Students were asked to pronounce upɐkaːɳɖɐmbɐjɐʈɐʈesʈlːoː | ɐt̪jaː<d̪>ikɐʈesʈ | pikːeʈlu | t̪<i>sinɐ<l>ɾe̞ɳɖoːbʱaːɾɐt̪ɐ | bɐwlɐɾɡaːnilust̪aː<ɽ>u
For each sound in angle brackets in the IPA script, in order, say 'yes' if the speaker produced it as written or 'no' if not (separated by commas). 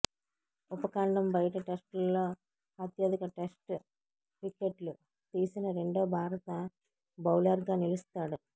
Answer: yes, no, no, yes